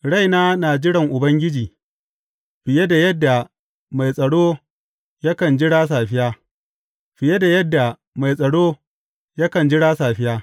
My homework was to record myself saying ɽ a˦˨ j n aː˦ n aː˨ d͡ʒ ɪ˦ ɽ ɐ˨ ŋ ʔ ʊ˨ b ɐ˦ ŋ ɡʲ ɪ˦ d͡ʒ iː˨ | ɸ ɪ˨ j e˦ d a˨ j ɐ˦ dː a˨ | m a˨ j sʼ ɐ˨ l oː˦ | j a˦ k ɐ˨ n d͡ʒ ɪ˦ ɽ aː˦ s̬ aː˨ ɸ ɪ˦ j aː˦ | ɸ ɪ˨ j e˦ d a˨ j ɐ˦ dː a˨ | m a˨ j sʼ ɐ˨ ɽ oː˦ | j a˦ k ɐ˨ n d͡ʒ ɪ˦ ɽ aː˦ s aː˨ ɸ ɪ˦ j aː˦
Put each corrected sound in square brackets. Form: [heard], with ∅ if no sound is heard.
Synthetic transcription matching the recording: ɽ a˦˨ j n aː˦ n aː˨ d͡ʒ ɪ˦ ɽ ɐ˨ ŋ ʔ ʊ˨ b ɐ˦ ŋ ɡʲ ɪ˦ d͡ʒ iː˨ | ɸ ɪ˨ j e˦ d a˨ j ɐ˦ dː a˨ | m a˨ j sʼ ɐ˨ [ɽ] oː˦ | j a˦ k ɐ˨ n d͡ʒ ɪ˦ ɽ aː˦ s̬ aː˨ ɸ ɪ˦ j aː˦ | ɸ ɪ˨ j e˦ d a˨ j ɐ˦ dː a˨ | m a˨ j sʼ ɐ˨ ɽ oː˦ | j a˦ k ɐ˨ n d͡ʒ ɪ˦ ɽ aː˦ s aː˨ ɸ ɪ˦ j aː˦

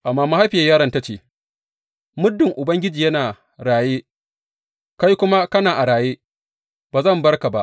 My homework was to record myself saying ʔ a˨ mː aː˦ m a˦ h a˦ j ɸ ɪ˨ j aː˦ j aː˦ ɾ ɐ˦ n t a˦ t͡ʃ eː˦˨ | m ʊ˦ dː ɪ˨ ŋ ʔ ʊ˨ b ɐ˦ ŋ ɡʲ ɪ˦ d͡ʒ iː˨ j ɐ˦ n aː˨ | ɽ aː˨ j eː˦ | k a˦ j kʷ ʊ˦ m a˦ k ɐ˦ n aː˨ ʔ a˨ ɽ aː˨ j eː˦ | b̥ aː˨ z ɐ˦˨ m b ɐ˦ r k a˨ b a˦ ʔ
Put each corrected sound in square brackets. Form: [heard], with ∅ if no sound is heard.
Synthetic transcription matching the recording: ʔ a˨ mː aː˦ m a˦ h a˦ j ɸ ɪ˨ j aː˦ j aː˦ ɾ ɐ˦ n t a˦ t͡ʃ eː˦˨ | m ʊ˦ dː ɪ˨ ŋ ʔ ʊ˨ b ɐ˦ ŋ ɡʲ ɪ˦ d͡ʒ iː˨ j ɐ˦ n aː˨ | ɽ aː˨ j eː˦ | k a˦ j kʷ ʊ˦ m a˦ k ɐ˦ n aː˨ ʔ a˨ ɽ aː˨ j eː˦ | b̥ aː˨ z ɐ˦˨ m b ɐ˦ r k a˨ b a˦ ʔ

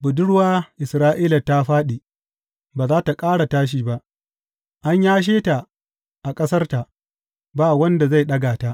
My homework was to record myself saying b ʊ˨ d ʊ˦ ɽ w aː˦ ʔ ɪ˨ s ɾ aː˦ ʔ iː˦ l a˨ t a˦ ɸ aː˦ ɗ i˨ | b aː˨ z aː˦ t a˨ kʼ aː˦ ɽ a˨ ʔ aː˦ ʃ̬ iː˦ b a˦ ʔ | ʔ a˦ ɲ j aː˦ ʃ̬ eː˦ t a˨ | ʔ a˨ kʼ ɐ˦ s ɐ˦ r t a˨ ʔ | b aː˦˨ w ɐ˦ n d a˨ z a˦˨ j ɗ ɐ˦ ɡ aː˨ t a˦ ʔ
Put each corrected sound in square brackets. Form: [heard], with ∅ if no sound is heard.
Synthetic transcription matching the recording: b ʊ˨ d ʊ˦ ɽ w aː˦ ʔ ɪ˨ s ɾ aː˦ ʔ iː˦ l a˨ t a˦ ɸ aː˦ ɗ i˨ | b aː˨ z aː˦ t a˨ kʼ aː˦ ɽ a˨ [t] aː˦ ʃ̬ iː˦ b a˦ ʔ | ʔ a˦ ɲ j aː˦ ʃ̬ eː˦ t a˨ | ʔ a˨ kʼ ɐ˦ s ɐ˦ r t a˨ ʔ | b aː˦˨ w ɐ˦ n d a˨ z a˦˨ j ɗ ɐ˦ ɡ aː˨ t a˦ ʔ

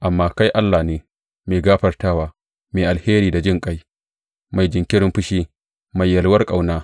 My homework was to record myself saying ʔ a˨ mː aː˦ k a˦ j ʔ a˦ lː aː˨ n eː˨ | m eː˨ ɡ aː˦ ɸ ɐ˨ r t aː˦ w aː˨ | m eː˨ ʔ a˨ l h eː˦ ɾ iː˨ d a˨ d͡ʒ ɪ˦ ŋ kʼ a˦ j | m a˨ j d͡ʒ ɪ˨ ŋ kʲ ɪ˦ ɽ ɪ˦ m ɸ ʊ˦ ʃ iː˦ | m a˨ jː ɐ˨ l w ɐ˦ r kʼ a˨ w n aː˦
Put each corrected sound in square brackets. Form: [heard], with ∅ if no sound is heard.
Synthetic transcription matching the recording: ʔ a˨ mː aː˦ k a˦ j ʔ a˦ lː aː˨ n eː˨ | m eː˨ ɡ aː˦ ɸ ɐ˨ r t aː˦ w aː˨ | m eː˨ ʔ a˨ l h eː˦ ɾ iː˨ d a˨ d͡ʒ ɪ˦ ŋ kʼ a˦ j | m a˨ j d͡ʒ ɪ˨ ŋ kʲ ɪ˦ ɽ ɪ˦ m ɸ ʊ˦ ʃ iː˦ | m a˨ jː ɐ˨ l w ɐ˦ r kʼ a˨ w n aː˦

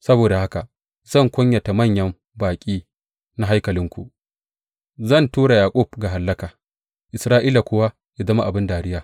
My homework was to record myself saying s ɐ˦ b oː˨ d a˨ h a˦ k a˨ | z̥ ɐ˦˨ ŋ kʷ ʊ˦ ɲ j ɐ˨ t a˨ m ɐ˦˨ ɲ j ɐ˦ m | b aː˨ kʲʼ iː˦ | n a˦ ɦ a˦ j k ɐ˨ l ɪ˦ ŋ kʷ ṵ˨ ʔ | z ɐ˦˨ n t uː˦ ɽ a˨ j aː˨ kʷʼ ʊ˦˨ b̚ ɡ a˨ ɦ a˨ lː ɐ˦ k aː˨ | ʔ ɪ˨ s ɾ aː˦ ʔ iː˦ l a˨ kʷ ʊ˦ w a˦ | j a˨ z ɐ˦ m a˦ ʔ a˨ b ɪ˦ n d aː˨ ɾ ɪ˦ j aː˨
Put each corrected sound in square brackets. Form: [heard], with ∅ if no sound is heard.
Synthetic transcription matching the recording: s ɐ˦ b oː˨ d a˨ h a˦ k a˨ | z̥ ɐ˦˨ ŋ kʷ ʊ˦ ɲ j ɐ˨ t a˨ m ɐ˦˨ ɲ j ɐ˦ m | b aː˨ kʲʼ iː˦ | n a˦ ɦ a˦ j k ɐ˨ l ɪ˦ ŋ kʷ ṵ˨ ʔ | z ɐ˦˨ n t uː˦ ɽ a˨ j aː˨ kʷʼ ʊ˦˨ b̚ ɡ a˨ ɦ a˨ lː ɐ˦ k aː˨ | ʔ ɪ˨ s ɾ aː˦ ʔ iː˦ l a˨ kʷ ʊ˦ w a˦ | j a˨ z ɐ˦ m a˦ ʔ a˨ b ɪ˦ n d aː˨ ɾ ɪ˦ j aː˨

